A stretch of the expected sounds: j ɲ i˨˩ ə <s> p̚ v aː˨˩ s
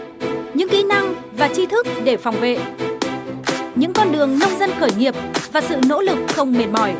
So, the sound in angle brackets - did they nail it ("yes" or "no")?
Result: no